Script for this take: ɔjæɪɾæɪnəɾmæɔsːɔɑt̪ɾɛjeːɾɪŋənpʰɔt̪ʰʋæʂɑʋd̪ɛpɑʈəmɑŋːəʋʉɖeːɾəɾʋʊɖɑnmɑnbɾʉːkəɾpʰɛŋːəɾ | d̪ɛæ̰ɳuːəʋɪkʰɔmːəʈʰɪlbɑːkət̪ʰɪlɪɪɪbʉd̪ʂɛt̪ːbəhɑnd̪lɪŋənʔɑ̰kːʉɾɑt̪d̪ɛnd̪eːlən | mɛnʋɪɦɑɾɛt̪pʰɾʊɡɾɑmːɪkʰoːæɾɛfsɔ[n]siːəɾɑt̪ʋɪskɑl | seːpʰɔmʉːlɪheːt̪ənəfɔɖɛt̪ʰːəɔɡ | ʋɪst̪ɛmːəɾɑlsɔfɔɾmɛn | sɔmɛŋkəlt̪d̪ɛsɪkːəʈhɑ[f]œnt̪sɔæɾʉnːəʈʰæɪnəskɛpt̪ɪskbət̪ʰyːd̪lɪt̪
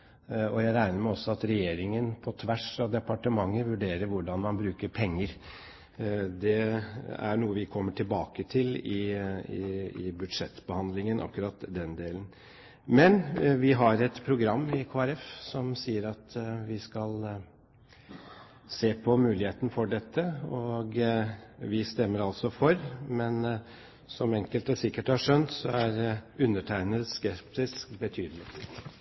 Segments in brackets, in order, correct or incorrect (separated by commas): incorrect, incorrect